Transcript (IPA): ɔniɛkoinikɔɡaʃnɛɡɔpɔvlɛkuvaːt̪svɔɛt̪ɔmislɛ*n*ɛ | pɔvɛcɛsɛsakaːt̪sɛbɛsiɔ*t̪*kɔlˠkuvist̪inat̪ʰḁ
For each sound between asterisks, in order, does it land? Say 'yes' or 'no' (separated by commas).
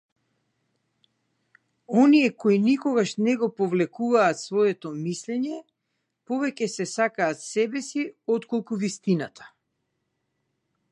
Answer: no, yes